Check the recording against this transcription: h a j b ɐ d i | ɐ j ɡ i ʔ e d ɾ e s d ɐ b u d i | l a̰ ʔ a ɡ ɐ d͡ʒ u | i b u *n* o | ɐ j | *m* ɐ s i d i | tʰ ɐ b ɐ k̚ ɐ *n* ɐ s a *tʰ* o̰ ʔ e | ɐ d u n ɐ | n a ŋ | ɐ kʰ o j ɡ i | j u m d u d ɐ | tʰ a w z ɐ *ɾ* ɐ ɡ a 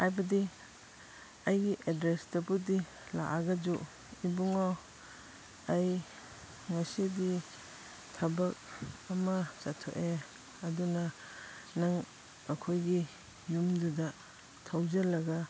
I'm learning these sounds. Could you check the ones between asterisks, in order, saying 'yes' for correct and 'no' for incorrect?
no, no, no, yes, no

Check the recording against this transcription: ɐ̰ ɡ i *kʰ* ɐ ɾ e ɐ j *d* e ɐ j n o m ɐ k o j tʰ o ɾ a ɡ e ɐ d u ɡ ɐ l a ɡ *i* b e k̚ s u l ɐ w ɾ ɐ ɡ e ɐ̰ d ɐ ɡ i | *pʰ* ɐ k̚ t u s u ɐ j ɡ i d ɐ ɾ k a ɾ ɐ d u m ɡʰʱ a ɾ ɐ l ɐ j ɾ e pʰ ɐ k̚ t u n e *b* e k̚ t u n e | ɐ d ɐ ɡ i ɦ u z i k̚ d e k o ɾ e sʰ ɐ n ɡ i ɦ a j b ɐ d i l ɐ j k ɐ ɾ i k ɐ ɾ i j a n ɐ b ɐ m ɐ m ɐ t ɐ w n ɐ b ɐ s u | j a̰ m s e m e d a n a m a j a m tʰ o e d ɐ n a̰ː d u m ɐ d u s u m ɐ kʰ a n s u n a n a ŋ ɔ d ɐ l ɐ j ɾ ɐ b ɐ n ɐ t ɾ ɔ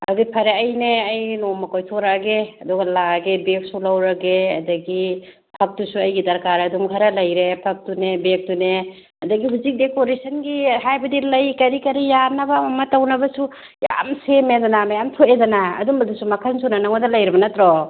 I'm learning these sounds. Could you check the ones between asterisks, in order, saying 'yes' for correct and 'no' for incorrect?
no, no, no, yes, yes

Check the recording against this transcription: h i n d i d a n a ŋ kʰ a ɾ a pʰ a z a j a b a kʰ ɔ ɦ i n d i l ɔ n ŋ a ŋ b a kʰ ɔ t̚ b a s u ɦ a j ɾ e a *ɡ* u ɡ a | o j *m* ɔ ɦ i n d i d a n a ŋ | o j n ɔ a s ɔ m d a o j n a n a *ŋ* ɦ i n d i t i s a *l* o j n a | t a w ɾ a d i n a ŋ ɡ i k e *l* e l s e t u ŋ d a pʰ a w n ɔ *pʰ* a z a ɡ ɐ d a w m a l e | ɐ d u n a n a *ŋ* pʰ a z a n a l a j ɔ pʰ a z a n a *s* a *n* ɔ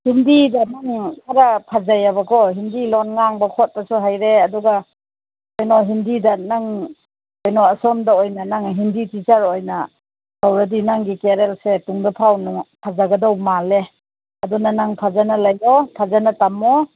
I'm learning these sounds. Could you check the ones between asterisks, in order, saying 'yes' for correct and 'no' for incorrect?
no, no, yes, no, no, yes, yes, no, no

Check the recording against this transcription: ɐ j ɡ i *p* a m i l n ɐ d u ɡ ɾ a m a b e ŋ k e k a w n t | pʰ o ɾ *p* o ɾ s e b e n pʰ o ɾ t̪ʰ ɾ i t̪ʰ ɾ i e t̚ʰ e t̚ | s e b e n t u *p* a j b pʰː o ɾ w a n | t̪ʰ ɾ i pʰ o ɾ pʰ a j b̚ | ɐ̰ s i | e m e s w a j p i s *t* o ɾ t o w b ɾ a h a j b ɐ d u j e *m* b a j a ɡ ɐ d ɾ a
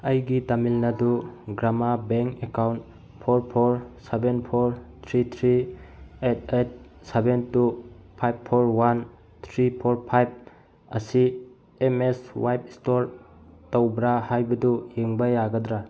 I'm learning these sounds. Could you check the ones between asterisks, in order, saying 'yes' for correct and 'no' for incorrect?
no, no, no, yes, no

